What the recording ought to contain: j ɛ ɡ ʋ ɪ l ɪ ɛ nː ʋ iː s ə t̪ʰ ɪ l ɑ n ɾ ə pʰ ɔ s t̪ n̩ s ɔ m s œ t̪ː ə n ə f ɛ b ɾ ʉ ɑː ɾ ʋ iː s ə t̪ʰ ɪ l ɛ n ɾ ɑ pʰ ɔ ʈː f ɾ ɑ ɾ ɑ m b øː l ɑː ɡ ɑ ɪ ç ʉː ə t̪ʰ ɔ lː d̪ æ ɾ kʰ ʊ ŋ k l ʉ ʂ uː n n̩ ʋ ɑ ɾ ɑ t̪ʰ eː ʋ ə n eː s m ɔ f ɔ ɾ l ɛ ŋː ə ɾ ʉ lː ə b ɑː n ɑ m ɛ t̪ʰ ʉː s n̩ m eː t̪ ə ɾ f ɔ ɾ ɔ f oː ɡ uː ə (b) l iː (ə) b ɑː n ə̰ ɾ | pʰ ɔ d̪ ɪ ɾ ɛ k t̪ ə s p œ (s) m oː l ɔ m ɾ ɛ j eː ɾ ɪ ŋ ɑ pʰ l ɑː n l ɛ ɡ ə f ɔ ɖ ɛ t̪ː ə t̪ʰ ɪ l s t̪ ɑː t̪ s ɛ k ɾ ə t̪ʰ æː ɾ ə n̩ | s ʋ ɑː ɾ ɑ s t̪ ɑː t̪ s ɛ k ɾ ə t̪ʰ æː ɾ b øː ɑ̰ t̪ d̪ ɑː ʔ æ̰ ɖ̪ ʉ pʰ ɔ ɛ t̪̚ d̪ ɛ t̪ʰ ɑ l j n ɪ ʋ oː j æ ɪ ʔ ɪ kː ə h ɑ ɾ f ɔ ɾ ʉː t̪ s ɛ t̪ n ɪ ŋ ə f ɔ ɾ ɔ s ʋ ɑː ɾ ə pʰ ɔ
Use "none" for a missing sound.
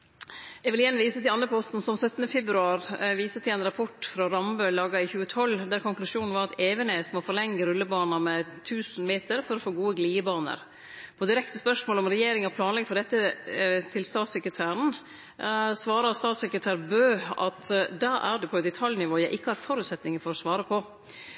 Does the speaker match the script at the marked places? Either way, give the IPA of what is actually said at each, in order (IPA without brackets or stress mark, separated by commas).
ɡ, ə, ʂ